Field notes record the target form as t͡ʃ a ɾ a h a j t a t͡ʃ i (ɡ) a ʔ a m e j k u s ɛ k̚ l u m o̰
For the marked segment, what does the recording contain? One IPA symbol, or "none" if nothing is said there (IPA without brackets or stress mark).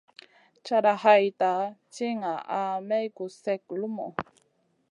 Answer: ŋ